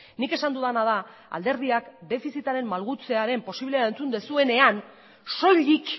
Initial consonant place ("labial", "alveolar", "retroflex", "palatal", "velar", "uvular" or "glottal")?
alveolar